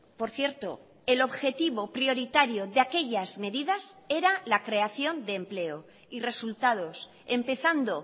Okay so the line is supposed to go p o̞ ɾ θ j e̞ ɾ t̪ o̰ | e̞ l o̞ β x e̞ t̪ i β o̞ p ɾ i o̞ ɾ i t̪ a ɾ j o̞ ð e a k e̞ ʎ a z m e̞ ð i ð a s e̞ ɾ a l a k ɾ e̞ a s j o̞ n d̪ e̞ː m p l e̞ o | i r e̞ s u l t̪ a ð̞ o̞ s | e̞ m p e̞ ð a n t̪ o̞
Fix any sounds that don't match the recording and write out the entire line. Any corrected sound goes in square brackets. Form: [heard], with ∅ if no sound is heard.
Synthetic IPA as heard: p o̞ ɾ θ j e̞ ɾ t̪ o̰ | e̞ l o̞ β x e̞ t̪ i β o̞ p ɾ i o̞ ɾ i t̪ a ɾ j o̞ ð e a k e̞ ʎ a z m e̞ ð i ð a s e̞ ɾ a l a k ɾ e̞ a [θ] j o̞ n d̪ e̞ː m p l e̞ o | i r e̞ s u l t̪ a ð̞ o̞ s | e̞ m p e̞ [θ] a n [d̪] o̞